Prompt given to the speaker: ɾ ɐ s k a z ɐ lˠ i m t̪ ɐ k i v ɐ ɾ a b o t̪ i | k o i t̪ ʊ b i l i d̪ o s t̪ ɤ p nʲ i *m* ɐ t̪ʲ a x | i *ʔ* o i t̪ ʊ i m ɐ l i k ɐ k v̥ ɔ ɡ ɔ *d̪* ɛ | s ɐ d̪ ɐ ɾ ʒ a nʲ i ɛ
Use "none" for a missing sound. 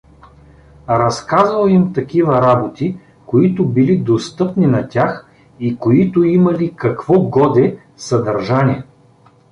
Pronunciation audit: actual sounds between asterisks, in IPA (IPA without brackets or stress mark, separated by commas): n, k, d̪